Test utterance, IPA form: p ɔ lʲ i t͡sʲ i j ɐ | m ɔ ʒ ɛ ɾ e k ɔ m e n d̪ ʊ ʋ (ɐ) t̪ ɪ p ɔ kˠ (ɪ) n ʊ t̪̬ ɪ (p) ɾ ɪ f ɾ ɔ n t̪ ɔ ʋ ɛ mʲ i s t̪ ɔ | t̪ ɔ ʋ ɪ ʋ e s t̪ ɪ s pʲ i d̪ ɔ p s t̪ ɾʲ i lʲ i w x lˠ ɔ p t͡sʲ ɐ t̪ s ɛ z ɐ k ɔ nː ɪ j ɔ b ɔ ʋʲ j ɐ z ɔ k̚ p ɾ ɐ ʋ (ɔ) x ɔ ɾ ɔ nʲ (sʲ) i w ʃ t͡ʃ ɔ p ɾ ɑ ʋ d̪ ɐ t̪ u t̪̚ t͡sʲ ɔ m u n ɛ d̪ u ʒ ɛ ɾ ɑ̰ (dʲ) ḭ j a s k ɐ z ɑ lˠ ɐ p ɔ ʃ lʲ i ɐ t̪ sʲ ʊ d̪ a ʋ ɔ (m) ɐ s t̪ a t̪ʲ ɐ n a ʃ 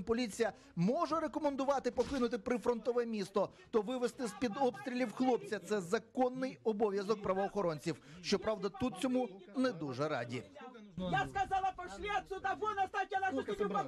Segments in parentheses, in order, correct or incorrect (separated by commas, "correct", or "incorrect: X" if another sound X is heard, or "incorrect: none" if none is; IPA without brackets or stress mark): incorrect: ɑ, correct, correct, incorrect: ɔː, incorrect: t͡sʲ, correct, incorrect: n